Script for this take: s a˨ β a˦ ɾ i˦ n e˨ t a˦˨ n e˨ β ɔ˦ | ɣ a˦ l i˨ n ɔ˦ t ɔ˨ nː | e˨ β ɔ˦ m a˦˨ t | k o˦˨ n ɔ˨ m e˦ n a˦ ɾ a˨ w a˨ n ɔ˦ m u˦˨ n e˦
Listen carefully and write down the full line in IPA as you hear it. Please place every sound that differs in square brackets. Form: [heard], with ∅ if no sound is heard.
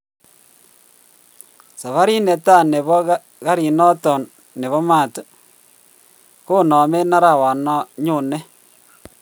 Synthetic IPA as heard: s a˨ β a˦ ɾ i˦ n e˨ t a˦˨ n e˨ β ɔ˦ | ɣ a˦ [ɾ] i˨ n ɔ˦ t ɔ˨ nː | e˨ β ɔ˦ m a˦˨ t | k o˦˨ n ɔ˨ m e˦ n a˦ ɾ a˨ w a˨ n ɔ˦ [ɲ] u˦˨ n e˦

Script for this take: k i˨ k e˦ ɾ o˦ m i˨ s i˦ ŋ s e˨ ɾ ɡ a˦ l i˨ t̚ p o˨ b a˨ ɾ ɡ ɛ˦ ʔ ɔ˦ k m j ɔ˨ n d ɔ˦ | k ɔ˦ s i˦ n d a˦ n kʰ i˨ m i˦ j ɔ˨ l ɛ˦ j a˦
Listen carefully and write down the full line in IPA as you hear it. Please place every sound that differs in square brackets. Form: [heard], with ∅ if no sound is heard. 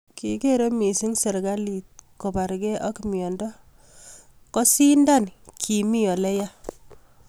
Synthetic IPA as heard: k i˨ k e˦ ɾ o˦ m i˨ s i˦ ŋ s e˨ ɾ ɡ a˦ l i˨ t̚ [k] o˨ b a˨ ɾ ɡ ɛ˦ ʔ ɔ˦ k m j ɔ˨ n d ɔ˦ | k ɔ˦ s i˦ n d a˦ n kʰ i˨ m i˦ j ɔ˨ l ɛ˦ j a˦

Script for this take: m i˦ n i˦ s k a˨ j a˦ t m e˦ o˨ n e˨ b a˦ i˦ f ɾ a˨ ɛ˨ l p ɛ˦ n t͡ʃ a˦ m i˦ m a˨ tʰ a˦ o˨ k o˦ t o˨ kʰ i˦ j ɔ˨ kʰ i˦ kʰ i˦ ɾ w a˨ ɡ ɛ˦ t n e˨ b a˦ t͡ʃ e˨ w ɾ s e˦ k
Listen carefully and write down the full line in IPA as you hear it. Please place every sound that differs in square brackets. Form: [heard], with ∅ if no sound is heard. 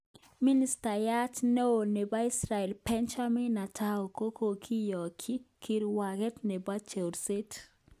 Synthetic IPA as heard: m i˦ n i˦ s [t] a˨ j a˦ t [n] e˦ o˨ n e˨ b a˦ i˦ [s] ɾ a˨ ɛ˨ l p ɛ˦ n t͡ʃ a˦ m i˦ [n] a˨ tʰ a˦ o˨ k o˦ [k] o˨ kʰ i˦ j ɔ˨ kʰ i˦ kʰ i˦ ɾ w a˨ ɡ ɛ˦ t n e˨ b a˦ t͡ʃ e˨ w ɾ s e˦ [t]

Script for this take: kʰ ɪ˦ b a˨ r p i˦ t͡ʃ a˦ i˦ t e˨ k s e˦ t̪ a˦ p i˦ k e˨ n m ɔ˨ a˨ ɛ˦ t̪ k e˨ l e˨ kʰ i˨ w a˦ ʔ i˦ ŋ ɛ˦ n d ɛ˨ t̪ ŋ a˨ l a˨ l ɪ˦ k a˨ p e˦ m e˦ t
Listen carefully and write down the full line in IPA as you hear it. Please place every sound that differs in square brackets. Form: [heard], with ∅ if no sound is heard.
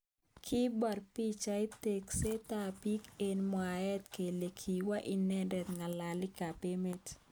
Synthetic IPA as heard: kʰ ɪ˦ b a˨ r p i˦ t͡ʃ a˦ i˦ t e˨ k s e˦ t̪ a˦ p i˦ k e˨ n m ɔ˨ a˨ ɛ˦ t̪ k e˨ l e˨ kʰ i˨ w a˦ ʔ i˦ [n] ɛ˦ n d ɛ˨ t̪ ŋ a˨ l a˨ l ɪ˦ k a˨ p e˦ m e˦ t

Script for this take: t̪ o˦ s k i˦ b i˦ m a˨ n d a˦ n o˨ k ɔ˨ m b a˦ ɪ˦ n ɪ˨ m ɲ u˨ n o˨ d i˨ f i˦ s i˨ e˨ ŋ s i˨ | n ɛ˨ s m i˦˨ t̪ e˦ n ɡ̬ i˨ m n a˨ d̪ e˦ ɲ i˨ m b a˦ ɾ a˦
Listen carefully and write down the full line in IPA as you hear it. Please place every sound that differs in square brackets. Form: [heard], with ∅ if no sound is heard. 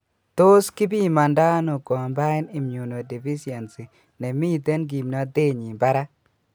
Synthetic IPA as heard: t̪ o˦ s k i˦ b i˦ m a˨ n d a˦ n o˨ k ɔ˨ m b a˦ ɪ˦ n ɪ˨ m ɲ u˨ n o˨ d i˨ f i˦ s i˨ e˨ [n] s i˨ | n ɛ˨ [∅] m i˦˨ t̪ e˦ n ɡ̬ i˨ m n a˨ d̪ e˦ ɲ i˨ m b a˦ ɾ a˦

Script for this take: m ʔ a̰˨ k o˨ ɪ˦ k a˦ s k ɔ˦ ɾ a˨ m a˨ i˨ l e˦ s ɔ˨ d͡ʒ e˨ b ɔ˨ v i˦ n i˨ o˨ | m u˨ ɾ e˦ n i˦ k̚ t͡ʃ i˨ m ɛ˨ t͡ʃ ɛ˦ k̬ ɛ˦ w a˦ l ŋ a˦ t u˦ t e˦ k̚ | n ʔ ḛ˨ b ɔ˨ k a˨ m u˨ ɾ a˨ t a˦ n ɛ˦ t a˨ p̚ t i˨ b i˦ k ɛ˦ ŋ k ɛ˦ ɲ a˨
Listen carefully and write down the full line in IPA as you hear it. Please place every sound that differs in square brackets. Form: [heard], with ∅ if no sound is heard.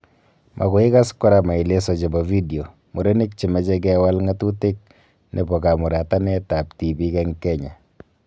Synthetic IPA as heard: m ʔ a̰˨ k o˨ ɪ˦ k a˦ s k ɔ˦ ɾ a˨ m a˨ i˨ l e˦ s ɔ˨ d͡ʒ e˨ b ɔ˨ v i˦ [d] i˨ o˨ | m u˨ ɾ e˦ n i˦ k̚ t͡ʃ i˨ m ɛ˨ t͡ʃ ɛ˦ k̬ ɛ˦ w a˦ l ŋ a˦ t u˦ t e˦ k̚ | n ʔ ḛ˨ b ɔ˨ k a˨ m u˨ ɾ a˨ t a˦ n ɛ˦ t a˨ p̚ t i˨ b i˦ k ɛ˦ ŋ k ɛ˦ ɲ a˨

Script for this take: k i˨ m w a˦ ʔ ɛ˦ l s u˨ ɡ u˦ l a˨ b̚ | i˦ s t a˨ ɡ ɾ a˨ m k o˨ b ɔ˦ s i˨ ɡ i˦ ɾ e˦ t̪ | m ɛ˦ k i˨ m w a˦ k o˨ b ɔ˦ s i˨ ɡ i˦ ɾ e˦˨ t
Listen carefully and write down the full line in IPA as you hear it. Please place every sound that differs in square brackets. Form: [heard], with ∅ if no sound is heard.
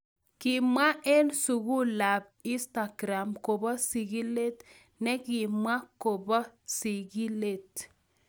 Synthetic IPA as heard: k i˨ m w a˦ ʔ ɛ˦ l s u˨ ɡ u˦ l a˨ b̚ | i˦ s t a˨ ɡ ɾ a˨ m k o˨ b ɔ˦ s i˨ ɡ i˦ [l] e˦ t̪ | [n] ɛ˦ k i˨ m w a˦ k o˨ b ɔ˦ s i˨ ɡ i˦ [l] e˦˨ t

